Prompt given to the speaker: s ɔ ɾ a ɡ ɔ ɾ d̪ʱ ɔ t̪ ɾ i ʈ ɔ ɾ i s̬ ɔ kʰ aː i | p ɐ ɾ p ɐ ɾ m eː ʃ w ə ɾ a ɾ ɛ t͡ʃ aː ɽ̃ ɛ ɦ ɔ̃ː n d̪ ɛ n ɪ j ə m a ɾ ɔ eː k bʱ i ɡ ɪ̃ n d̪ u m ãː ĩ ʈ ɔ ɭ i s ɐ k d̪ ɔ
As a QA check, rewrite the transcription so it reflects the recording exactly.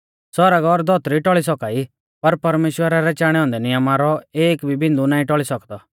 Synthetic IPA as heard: s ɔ ɾ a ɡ ɔ ɾ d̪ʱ ɔ t̪ ɾ i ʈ ɔ ɭ i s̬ ɔ k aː i | p ɐ ɾ p ɐ ɾ m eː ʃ w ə ɾ a ɾ ɛ t͡ʃ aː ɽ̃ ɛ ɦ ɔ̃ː n d̪ ɛ n ɪ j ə m a ɾ ɔ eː k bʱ i b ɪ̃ n d̪ u n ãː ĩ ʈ ɔ ɭ i s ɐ k d̪ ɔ